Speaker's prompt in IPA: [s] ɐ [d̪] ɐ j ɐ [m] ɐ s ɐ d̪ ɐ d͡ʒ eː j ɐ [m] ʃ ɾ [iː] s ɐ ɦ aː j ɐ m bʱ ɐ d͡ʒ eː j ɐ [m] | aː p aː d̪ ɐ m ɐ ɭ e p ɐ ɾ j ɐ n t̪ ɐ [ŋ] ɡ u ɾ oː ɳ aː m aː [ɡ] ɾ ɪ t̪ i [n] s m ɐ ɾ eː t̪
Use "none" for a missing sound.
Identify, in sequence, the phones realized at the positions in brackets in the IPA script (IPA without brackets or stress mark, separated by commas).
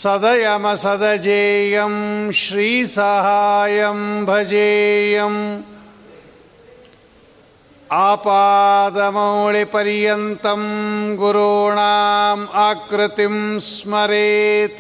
s, d̪, m, m, iː, m, m, k, m